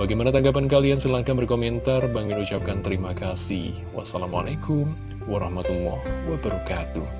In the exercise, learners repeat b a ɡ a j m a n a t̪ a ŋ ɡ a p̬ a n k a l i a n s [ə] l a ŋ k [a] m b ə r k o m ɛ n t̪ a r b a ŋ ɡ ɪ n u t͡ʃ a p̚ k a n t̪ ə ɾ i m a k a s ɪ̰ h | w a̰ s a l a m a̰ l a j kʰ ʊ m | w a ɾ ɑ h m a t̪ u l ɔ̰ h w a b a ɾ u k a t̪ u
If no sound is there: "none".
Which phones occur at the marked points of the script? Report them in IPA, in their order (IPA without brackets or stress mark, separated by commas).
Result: ə, a